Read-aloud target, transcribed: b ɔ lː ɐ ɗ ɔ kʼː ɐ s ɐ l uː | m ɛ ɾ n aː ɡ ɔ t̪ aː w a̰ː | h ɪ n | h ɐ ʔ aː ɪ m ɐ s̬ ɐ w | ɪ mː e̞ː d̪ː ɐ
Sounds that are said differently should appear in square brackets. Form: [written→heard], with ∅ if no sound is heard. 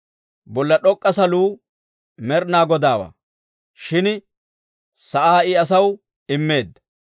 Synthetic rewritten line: b ɔ lː ɐ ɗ ɔ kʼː ɐ s ɐ l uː | m ɛ ɾ n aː ɡ ɔ [t̪→d̪] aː w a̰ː | [h→ʃ] ɪ n | [h→s] ɐ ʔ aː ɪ [m→∅] ɐ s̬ ɐ w | ɪ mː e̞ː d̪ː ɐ

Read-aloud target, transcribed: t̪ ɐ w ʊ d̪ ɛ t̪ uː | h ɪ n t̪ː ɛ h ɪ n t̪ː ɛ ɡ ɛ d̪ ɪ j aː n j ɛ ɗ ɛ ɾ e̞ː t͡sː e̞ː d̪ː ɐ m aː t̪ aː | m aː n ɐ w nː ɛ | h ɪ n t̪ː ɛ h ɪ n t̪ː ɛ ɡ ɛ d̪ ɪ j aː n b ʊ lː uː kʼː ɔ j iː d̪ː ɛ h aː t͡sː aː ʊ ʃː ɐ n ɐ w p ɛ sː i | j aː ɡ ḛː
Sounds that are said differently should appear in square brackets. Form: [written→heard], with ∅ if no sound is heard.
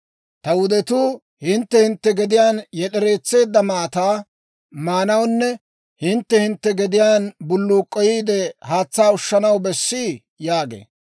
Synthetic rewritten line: t̪ ɐ w ʊ d̪ ɛ t̪ uː | h ɪ n t̪ː ɛ h ɪ n t̪ː ɛ ɡ ɛ d̪ ɪ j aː n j ɛ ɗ ɛ ɾ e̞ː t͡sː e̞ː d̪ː ɐ m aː t̪ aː | m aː n ɐ w nː ɛ | h ɪ n t̪ː ɛ h ɪ n t̪ː ɛ ɡ ɛ d̪ ɪ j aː n b ʊ lː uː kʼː ɔ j iː [d̪ː→d̪] ɛ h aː t͡sː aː ʊ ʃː ɐ n ɐ w [p→b] ɛ sː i | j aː ɡ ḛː

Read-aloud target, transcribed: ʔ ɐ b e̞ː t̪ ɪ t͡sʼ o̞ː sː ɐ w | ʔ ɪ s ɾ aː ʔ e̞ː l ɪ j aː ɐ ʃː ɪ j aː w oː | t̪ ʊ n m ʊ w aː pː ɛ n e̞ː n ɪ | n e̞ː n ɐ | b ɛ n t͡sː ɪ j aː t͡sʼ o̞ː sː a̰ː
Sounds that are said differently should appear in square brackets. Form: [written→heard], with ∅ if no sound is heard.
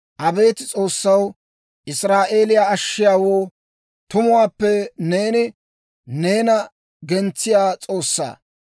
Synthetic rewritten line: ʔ ɐ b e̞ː t̪ ɪ t͡sʼ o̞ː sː ɐ w | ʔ ɪ s ɾ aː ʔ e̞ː l ɪ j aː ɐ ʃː ɪ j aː w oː | t̪ ʊ [n→∅] m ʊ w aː pː ɛ n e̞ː n ɪ | n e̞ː n ɐ | [b→ɡ] ɛ n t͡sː ɪ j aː t͡sʼ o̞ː sː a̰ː

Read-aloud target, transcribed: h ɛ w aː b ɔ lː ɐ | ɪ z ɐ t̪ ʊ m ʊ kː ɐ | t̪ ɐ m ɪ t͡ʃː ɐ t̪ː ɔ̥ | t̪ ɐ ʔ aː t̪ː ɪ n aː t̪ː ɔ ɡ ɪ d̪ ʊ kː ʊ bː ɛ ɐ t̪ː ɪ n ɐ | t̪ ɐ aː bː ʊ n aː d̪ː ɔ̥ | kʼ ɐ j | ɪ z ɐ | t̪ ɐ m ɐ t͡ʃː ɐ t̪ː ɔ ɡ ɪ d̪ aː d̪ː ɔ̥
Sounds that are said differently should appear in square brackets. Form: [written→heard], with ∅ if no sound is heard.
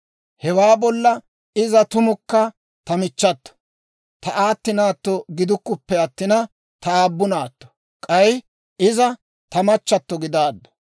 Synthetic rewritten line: h ɛ w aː b ɔ lː ɐ | ɪ z ɐ t̪ ʊ m ʊ kː ɐ | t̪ ɐ m ɪ t͡ʃː ɐ t̪ː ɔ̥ | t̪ ɐ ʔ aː t̪ː ɪ n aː t̪ː ɔ ɡ ɪ d̪ ʊ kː ʊ [bː→pː] ɛ ɐ t̪ː ɪ n ɐ | t̪ ɐ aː bː ʊ n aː [d̪ː→t̪ː] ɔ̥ | kʼ ɐ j | ɪ z ɐ | t̪ ɐ m ɐ t͡ʃː ɐ t̪ː ɔ ɡ ɪ d̪ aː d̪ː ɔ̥

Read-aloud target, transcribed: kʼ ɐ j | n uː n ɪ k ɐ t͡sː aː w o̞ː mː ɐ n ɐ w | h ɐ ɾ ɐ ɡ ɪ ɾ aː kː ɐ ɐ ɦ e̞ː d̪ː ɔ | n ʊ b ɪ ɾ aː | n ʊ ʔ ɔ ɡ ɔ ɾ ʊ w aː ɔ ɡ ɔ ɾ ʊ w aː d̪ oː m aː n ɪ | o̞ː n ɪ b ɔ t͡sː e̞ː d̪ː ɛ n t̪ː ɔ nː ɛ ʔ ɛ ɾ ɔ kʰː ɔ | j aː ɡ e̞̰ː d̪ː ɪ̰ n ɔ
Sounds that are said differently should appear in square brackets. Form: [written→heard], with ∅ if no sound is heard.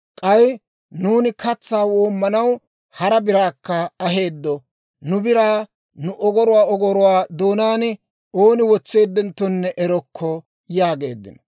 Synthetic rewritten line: kʼ ɐ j | n uː n ɪ k ɐ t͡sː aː w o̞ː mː ɐ n ɐ w | h ɐ ɾ ɐ [ɡ→b] ɪ ɾ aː kː ɐ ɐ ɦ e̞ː d̪ː ɔ | n ʊ b ɪ ɾ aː | n ʊ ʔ ɔ ɡ ɔ ɾ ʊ w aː ɔ ɡ ɔ ɾ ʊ w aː d̪ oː [m→n] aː n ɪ | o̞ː n ɪ [b→w] ɔ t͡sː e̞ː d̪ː ɛ n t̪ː ɔ nː ɛ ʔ ɛ ɾ ɔ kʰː ɔ | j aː ɡ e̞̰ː d̪ː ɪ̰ n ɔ

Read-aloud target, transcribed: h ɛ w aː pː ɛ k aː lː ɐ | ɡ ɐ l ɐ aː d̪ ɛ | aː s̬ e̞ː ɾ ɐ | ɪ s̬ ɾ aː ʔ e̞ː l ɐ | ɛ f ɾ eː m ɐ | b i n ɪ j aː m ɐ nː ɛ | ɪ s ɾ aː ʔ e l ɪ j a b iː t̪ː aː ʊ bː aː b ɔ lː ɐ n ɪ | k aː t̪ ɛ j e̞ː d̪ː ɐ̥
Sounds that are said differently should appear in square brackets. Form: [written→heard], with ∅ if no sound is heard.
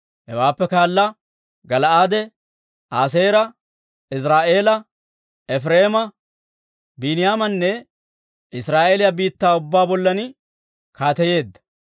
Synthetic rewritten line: h ɛ w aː pː ɛ k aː lː ɐ | ɡ ɐ l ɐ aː d̪ ɛ | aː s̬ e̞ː ɾ ɐ | ɪ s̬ ɾ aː ʔ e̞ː l ɐ | ɛ f ɾ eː m ɐ | b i n ɪ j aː m ɐ nː ɛ | ɪ s ɾ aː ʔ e l ɪ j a b iː t̪ː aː ʊ bː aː b ɔ lː ɐ n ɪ | k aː t̪ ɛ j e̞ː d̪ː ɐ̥

